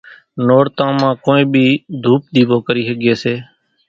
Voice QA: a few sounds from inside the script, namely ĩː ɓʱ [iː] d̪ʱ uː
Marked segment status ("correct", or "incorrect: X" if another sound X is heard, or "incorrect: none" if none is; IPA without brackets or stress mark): correct